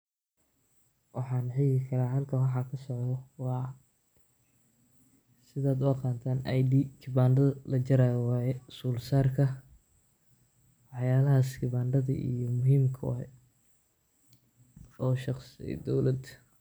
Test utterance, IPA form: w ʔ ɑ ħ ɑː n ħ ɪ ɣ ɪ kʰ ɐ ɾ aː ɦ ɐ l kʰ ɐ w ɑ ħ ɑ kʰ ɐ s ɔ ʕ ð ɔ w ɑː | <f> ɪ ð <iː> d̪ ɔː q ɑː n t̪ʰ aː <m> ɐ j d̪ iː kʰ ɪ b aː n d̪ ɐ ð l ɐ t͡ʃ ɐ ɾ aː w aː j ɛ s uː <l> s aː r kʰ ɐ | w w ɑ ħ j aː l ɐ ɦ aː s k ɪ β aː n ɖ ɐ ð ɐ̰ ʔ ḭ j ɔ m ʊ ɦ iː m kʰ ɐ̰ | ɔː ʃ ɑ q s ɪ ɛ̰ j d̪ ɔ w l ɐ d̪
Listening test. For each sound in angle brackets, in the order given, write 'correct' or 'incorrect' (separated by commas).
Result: incorrect, incorrect, incorrect, correct